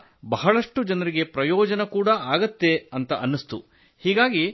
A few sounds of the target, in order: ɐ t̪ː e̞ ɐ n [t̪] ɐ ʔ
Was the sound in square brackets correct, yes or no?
yes